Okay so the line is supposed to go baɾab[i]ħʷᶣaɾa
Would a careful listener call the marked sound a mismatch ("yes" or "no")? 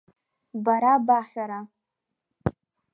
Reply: yes